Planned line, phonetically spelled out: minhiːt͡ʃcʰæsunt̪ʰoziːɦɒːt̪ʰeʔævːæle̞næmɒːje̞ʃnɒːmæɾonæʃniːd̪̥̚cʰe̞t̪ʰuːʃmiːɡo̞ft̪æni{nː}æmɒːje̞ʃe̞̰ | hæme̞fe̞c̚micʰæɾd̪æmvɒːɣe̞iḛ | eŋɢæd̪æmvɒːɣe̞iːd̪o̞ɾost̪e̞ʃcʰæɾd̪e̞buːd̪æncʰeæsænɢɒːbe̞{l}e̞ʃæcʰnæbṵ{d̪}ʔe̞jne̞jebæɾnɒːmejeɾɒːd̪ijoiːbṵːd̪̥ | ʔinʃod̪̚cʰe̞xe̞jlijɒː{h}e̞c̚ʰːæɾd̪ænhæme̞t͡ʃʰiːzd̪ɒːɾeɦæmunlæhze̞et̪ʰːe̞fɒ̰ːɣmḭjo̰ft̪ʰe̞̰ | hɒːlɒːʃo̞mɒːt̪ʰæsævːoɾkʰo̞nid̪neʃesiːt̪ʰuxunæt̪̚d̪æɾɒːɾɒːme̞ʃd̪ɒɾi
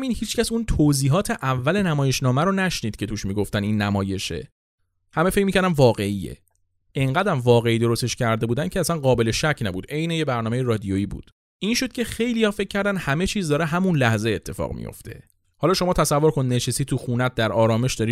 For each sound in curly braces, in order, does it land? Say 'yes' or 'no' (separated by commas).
yes, yes, yes, no